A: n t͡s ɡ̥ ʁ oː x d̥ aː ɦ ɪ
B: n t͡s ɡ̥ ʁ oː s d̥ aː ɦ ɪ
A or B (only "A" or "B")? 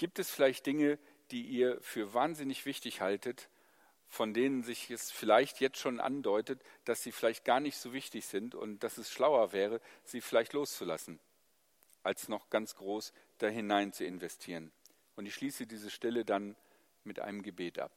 B